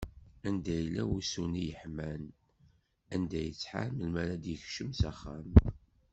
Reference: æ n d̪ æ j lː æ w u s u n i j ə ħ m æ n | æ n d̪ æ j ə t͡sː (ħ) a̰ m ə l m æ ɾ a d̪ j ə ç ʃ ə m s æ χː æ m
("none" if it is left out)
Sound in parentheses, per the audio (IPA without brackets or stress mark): ħ